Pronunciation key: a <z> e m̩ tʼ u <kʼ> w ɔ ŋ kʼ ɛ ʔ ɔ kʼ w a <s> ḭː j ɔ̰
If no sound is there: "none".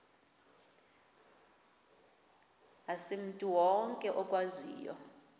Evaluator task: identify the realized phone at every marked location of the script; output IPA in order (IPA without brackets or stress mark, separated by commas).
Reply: s, none, z